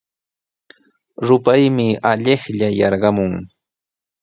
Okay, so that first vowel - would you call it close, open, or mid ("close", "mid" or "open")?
close